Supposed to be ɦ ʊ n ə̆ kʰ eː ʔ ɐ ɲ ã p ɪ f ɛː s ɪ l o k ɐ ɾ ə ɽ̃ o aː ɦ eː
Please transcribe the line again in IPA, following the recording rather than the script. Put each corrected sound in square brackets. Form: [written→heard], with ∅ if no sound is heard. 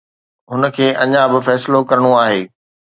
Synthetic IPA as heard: ɦ ʊ n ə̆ kʰ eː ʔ ɐ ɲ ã [p→b] ɪ f ɛː s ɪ l o k ɐ ɾ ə ɽ̃ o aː ɦ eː